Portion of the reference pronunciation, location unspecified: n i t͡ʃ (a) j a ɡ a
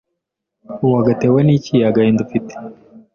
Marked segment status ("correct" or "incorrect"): incorrect